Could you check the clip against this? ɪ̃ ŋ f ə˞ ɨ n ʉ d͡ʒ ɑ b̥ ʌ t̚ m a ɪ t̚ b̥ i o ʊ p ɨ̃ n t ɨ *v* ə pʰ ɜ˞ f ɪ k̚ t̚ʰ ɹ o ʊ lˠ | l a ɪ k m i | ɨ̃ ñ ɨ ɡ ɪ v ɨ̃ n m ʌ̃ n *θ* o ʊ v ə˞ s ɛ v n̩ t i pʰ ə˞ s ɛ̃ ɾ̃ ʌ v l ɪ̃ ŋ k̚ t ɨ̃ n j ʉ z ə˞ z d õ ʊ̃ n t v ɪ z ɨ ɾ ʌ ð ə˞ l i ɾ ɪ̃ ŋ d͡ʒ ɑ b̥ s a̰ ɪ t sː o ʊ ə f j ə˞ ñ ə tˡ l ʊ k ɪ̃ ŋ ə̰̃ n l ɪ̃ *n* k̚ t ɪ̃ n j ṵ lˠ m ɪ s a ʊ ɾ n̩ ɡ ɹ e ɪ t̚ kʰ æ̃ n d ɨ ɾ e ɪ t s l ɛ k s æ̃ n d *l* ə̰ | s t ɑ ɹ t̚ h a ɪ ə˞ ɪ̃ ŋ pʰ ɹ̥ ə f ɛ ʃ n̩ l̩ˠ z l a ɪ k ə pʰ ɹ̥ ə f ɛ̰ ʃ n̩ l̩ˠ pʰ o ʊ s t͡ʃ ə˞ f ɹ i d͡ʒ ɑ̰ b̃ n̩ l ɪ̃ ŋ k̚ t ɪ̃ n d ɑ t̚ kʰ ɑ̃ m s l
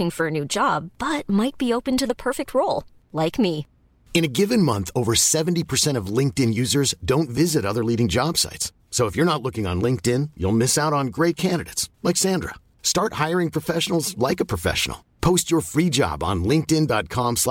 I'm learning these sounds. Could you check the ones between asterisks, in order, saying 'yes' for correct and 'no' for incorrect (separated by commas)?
no, yes, no, no